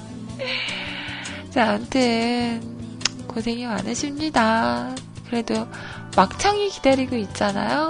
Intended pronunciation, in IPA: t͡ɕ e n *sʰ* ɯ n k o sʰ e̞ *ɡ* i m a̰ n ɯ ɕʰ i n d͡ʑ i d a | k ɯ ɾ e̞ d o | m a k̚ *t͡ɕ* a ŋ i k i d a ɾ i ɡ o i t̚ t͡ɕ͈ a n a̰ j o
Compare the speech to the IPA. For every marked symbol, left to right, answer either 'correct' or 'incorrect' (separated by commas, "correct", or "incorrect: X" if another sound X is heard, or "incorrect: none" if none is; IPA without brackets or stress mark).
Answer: incorrect: tʰ, incorrect: ŋ, incorrect: t͡ɕʰ